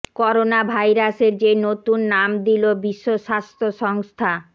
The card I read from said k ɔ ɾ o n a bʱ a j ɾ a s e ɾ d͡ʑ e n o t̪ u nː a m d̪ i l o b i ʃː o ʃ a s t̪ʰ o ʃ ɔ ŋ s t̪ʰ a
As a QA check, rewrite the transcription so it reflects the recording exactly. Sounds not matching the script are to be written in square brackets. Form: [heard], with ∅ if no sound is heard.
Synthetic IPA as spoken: k ɔ ɾ o n a bʱ a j ɾ a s e ɾ d͡ʑ e n o t̪ u nː a m d̪ i l o b i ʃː o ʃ a s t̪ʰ o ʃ ɔ ŋ s t̪ʰ a